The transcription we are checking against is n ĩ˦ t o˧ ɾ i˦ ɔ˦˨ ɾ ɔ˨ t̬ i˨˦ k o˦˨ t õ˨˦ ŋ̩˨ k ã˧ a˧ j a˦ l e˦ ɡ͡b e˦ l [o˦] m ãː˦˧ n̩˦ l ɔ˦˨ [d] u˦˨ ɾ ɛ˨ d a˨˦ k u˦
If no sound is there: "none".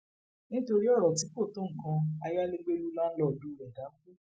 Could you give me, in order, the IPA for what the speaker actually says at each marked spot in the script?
u˦, d

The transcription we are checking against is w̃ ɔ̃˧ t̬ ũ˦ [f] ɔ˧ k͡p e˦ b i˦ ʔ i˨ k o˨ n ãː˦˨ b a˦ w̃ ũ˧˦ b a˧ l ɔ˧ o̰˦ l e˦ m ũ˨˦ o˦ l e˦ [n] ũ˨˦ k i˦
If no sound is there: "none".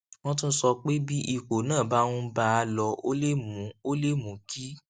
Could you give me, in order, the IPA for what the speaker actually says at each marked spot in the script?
s, m

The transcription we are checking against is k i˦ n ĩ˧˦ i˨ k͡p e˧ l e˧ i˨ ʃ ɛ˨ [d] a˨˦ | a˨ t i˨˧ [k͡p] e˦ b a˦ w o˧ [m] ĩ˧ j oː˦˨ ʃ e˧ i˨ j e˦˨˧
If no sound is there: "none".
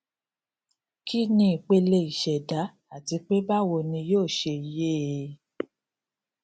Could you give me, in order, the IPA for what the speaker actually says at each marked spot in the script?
d, k͡p, n

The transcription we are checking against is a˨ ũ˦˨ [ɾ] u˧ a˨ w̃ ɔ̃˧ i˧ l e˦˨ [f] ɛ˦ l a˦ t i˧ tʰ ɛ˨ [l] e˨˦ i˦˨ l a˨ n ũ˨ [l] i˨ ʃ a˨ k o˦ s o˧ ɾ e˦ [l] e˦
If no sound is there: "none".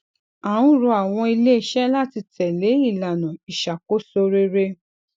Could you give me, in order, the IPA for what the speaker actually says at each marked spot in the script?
ɾ, ʃ, l, none, ɾ

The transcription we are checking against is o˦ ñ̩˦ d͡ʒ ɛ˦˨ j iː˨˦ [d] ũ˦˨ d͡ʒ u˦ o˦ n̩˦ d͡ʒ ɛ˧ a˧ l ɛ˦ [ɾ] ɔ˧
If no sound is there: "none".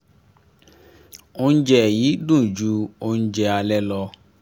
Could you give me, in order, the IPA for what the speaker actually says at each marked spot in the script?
d, l

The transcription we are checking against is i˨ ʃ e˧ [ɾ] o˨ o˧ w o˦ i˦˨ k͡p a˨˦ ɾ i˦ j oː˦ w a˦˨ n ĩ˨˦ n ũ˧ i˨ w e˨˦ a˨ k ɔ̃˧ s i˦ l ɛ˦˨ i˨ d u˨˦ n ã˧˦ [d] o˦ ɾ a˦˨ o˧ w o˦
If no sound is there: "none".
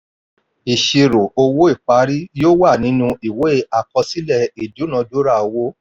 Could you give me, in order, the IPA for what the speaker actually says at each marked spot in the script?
ɾ, d

